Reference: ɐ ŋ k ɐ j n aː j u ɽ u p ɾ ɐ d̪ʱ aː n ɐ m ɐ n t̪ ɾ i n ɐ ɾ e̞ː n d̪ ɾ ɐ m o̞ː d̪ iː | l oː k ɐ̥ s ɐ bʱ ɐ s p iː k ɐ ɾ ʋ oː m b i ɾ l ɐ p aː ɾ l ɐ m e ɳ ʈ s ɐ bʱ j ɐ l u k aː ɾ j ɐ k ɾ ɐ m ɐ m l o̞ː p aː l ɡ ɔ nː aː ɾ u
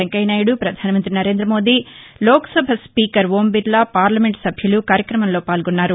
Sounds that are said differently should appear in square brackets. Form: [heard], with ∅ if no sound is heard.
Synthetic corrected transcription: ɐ ŋ k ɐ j n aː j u ɽ u p ɾ ɐ d̪ʱ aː n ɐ m ɐ n t̪ ɾ i n ɐ ɾ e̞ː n d̪ ɾ ɐ m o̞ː d̪ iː | l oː k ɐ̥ s ɐ bʱ ɐ s p iː k ɐ ɾ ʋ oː m b i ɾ l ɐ p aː ɾ l ɐ m e ɳ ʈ s ɐ bʱ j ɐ l u k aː ɾ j ɐ k ɾ ɐ m ɐ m l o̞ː p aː l ɡ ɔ nː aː ɾ u